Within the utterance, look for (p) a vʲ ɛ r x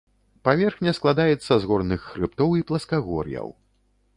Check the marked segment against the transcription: correct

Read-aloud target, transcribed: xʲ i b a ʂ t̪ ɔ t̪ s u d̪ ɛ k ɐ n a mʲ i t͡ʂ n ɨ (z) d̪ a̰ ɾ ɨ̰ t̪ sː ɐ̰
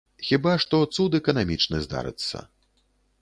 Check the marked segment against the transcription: correct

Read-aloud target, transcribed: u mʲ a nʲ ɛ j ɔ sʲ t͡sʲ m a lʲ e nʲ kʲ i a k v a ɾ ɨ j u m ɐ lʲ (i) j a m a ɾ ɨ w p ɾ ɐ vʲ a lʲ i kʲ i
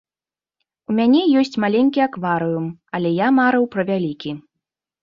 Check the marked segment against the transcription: incorrect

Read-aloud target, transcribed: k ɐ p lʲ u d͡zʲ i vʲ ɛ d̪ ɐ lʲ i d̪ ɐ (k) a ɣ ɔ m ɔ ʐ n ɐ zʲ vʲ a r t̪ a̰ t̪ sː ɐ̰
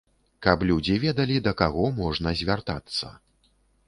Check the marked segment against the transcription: correct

